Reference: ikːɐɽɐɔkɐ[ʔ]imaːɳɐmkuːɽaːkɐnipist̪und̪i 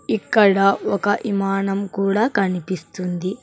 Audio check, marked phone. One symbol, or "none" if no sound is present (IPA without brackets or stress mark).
ʔ